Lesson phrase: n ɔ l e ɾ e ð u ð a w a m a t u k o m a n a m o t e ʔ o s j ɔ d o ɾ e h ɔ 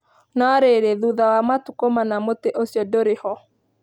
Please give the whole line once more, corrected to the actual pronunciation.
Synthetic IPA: n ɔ ɾ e ɾ e ð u ð a w a m a t u k o m a n a m o t e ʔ o s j ɔ d o ɾ e h ɔ